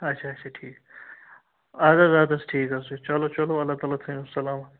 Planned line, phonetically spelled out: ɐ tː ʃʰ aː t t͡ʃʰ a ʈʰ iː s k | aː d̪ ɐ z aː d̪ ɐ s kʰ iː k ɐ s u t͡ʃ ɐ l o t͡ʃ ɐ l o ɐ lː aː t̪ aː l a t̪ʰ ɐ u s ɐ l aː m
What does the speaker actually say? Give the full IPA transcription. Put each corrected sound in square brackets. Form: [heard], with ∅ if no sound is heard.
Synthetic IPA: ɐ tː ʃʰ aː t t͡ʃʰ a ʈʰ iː [∅] k | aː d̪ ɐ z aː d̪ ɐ s [ʈʰ] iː k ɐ s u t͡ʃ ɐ l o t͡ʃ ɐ l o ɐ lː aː t̪ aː l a t̪ʰ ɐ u s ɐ l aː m